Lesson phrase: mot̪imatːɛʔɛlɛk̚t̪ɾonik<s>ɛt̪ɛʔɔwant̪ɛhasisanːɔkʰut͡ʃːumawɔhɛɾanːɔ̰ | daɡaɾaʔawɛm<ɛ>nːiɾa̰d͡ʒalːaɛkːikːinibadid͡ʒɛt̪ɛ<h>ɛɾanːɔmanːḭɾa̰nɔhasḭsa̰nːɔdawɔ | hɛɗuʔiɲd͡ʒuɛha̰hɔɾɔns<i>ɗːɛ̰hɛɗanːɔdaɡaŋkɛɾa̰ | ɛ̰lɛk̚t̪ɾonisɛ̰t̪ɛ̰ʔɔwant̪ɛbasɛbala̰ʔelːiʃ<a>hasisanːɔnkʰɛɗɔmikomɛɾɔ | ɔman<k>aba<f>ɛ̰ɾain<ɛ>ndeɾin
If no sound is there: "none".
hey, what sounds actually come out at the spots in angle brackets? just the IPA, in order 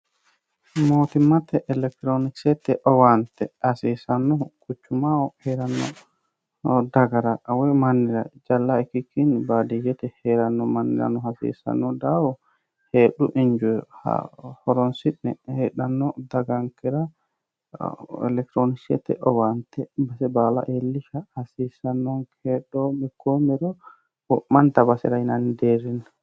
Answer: s, a, h, i, a, t, s, a

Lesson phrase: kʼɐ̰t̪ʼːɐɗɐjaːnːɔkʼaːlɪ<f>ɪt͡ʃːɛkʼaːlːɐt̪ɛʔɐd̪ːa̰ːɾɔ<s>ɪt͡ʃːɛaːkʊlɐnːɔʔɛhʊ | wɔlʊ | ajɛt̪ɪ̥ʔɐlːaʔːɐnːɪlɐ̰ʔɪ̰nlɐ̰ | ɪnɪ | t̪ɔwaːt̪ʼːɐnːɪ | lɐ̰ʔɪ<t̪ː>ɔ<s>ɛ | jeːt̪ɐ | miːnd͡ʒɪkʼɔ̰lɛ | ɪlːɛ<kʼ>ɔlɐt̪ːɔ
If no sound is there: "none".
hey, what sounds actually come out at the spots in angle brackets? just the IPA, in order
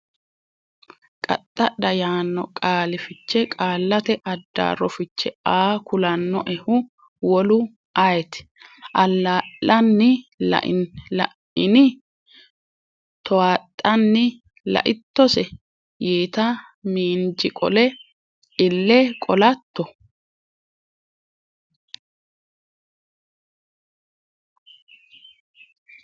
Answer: f, f, t̪ː, s, kʼ

